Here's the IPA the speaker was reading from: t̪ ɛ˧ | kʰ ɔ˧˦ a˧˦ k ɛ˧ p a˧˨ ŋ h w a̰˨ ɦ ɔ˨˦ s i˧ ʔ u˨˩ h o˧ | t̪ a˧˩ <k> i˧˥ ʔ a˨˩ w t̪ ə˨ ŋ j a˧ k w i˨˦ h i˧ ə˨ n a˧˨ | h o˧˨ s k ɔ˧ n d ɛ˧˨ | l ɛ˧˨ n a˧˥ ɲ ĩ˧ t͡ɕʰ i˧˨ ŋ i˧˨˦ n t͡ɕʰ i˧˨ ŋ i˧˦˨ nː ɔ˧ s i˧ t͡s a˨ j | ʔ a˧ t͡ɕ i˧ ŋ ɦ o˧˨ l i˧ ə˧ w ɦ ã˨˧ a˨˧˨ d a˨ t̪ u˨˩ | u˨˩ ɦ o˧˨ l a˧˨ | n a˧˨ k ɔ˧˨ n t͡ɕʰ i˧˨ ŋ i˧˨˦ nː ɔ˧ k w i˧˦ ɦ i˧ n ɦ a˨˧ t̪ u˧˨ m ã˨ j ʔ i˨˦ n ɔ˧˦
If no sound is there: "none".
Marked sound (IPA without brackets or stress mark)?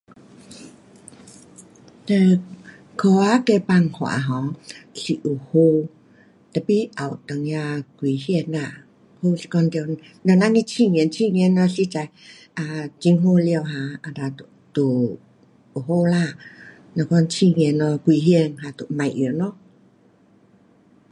p